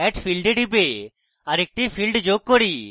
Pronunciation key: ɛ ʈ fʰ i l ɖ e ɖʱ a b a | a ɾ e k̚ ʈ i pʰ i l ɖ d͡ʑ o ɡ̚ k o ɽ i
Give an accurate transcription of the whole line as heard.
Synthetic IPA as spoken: ɛ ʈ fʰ i l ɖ e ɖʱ i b e | a ɾ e k̚ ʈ i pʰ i l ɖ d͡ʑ o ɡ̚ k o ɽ i

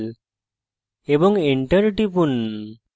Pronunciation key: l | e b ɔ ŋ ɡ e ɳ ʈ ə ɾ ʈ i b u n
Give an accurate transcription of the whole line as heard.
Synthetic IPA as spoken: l | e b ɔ ŋ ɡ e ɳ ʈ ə ɾ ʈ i p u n

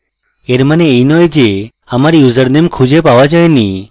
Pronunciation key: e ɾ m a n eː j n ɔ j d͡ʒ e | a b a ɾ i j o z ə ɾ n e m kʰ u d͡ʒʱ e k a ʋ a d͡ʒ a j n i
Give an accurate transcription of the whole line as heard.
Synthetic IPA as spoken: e ɾ m a n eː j n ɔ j d͡ʒ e | a m a ɾ i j u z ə ɾ n e m kʰ u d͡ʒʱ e p a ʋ a d͡ʒ a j n i

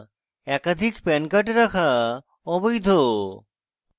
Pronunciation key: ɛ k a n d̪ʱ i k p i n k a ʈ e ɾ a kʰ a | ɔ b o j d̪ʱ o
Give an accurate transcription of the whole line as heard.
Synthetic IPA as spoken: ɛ k a d̪ʱ i k p ɛ n k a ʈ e ɾ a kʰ a | ɔ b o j d̪ʱ o

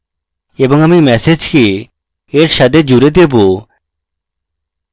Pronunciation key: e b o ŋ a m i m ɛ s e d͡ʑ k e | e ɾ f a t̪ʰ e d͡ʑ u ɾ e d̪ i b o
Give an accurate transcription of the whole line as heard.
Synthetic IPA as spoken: e b o ŋ a m i m ɛ s e d͡ʑ k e | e ɾ ʃ a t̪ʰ e d͡ʑ u ɾ e d̪ e b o

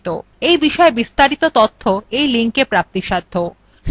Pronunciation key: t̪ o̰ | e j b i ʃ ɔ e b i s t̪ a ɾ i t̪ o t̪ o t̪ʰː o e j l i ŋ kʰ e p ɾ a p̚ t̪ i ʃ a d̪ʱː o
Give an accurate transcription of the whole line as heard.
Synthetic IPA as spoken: t̪ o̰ | e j b i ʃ ɔ e b i s t̪ a ɾ i t̪ o t̪ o t̪ʰː o e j l i ŋ k e p ɾ a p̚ t̪ i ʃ a d̪ʱː o

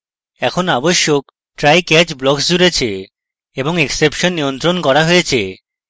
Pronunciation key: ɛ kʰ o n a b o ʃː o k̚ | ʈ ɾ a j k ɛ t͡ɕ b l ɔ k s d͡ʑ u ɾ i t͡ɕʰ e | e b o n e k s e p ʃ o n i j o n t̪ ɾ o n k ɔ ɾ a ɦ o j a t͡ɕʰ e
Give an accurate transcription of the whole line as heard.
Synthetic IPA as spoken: ɛ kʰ o n a b o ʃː o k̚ | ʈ ɾ a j k ɛ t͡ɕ b l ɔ k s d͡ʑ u ɾ e t͡ɕʰ e | e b o ŋ e k s e p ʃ o nː i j o n t̪ ɾ o n k ɔ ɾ a ɦ o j e t͡ɕʰ e

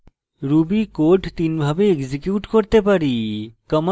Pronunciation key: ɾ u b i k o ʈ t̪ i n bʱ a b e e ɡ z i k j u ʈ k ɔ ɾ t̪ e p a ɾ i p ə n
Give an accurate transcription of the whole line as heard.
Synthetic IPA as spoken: ɾ u b i k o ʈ t̪ i n bʱ a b e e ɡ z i k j u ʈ k o ɾ t̪ e p a ɾ i k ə m

